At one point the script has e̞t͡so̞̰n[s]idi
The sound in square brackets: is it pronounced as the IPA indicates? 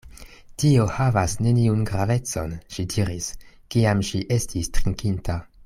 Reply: no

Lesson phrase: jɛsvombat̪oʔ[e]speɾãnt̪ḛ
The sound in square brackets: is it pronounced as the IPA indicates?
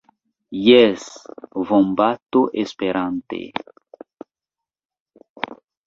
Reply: yes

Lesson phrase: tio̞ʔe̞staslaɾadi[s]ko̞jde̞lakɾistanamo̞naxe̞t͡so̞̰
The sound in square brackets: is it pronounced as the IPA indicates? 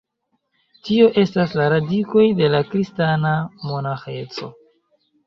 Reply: no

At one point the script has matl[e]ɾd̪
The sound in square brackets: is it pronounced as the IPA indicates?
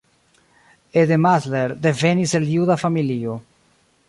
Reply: yes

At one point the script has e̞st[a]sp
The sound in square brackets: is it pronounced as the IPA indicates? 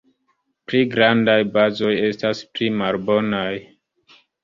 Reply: yes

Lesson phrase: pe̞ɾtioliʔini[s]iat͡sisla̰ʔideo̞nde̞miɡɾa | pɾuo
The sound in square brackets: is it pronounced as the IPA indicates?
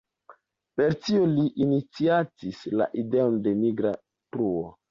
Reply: no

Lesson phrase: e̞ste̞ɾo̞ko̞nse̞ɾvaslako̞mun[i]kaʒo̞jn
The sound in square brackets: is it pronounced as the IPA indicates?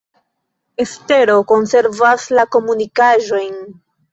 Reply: yes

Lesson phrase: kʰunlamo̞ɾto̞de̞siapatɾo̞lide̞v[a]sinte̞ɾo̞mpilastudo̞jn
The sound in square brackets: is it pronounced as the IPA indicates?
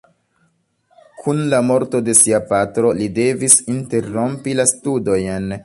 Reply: no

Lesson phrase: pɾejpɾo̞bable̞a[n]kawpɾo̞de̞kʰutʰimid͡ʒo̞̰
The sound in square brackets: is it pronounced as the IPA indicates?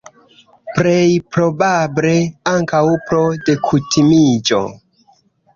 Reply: no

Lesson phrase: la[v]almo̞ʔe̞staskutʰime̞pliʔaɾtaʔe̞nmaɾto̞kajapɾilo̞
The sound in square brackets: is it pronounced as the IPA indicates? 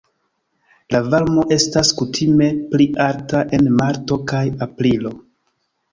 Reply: yes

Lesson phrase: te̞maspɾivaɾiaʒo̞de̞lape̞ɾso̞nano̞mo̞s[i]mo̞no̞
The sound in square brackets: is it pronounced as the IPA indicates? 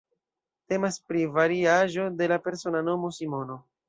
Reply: yes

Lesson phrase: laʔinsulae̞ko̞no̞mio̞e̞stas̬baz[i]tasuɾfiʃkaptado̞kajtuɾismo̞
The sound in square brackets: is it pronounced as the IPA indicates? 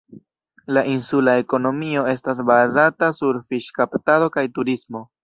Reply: no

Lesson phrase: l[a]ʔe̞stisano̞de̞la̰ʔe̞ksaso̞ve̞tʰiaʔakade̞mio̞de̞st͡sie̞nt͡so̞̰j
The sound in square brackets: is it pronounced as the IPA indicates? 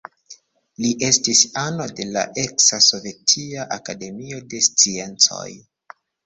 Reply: no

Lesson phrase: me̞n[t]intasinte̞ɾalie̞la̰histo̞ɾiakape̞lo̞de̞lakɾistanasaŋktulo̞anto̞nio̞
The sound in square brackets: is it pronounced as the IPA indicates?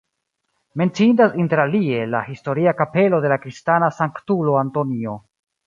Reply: no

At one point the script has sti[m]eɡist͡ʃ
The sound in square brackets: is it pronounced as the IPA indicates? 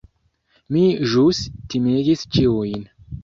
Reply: yes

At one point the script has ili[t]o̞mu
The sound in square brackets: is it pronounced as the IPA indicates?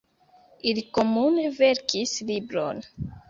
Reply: no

